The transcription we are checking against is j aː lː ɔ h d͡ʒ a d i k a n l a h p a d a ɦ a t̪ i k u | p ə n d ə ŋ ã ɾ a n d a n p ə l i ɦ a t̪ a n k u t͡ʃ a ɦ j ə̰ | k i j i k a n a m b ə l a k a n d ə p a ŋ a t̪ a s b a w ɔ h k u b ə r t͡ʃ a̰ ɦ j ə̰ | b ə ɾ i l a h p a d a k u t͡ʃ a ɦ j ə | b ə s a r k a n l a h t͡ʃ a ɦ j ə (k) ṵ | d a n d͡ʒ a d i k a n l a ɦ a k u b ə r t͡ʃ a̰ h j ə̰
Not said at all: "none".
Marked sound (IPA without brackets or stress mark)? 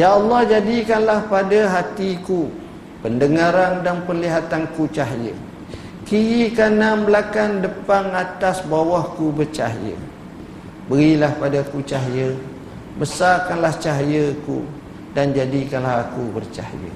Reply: k